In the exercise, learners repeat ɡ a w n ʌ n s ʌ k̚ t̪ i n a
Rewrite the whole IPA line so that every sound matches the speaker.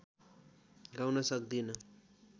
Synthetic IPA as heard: ɡ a w n ʌ s ʌ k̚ d̪ i n ʌ